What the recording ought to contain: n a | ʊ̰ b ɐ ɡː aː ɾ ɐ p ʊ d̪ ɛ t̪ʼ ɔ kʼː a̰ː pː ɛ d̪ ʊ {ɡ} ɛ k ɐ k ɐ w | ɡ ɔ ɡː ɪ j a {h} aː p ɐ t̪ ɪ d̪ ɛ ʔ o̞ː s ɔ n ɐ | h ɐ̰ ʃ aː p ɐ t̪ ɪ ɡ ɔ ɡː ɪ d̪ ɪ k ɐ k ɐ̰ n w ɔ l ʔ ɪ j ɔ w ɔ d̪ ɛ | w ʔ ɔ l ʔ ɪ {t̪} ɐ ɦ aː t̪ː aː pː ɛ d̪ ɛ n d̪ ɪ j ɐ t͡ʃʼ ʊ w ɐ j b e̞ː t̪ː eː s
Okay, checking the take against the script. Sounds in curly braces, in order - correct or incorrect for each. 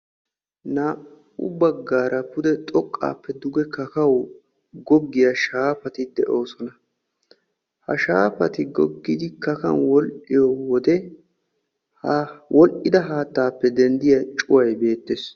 correct, incorrect: ʃ, incorrect: d̪

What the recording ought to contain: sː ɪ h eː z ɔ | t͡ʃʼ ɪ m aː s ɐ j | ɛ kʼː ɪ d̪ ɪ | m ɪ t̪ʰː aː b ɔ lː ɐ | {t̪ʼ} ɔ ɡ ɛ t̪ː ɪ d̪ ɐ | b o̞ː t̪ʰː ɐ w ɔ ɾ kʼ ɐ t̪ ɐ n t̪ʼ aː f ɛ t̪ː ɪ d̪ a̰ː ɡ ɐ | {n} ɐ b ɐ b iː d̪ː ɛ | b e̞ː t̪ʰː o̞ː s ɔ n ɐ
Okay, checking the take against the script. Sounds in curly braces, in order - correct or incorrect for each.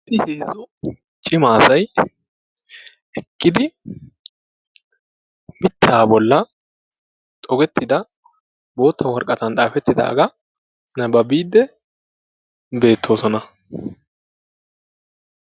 correct, correct

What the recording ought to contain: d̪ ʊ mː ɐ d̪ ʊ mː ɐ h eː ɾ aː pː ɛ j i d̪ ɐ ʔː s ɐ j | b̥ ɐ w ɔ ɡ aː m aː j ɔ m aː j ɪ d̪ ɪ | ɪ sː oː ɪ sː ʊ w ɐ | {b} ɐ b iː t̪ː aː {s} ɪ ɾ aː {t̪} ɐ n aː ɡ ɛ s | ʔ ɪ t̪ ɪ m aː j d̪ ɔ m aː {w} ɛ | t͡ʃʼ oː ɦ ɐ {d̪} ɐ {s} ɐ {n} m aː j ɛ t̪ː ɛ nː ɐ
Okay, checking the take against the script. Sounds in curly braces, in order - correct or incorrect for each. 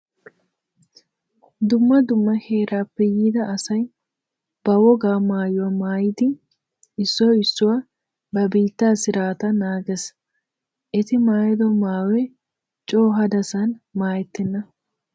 correct, correct, correct, correct, correct, correct, correct

